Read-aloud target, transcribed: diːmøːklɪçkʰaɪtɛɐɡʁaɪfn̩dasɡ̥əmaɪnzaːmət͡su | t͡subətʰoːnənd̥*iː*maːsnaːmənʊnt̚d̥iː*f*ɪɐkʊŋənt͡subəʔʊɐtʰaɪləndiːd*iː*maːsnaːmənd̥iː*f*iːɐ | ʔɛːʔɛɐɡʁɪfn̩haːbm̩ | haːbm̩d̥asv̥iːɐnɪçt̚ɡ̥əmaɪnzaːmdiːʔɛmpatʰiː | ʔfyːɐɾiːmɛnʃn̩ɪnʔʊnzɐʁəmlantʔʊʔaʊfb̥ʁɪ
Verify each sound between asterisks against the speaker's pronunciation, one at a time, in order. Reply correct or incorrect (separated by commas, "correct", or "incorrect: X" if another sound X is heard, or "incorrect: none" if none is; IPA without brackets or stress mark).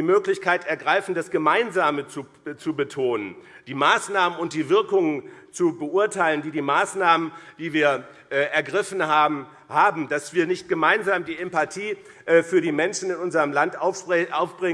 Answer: correct, incorrect: v, correct, incorrect: v